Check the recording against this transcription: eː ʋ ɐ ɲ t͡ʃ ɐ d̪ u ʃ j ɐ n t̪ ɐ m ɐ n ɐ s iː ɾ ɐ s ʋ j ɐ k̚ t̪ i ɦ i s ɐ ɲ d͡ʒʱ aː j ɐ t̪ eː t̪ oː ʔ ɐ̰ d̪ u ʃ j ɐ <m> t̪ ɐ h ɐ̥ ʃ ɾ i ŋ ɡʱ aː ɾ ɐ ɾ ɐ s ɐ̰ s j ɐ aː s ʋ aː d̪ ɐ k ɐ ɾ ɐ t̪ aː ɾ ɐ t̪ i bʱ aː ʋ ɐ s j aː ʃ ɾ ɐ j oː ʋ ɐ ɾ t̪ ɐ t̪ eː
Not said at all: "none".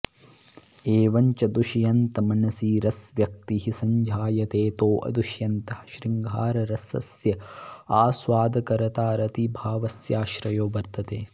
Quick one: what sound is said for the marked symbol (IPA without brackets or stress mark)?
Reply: n